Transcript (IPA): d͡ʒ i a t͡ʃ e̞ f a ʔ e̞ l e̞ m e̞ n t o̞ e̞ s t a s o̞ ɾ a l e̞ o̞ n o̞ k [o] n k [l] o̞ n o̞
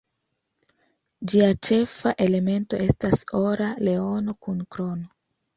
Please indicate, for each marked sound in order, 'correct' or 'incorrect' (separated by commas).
incorrect, incorrect